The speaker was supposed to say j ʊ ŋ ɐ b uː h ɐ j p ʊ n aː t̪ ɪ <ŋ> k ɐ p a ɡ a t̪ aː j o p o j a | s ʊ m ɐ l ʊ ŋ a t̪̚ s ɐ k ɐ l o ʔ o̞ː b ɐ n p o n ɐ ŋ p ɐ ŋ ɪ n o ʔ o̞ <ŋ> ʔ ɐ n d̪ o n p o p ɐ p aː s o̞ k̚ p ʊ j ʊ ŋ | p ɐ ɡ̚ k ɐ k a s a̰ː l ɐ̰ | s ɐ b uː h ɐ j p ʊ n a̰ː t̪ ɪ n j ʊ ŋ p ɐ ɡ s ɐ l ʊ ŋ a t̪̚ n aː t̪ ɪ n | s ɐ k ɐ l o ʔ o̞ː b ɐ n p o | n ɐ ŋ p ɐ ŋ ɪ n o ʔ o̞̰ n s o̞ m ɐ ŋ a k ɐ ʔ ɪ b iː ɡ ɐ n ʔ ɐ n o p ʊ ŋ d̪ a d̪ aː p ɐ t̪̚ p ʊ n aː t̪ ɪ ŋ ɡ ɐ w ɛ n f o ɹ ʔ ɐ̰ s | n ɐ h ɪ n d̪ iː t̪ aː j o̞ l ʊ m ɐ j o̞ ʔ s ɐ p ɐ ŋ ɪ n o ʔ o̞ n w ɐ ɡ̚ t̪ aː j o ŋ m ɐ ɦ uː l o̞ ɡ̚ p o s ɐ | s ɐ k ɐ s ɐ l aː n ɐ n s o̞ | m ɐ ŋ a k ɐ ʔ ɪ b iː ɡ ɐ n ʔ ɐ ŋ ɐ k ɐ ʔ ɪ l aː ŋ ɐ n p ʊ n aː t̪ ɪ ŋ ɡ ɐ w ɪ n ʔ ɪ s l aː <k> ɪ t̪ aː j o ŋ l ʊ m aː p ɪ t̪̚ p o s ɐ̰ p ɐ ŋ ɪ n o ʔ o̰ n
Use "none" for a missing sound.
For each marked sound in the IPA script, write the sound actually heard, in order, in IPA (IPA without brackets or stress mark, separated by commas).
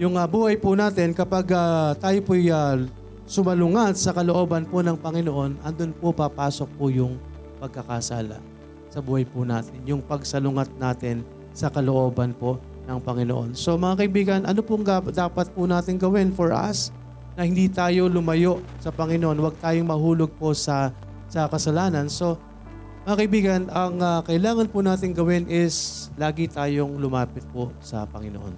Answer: n, n, ɡ